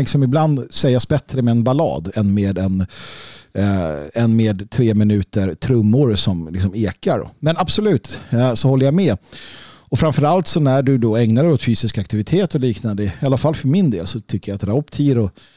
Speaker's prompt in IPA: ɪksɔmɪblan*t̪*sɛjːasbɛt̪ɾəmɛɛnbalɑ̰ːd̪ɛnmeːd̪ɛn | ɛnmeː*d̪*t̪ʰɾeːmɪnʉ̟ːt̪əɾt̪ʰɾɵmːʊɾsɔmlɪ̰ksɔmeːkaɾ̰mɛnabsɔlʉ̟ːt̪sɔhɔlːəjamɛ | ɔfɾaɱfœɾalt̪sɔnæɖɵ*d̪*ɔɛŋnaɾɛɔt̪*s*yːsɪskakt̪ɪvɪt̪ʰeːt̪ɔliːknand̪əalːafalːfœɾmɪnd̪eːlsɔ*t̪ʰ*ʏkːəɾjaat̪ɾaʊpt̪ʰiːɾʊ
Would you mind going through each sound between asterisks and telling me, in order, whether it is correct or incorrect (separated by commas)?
incorrect, correct, correct, incorrect, correct